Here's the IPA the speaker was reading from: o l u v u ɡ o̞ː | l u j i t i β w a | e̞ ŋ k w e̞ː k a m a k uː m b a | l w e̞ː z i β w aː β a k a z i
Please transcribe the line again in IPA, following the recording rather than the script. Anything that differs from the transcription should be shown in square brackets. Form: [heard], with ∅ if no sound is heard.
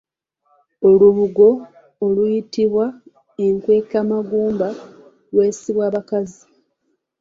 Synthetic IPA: o l u [β] u ɡ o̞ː | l u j i t i β w a | e̞ ŋ k w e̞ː k a m a [ɡ] uː m b a | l w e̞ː [s] i β w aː β a k a z i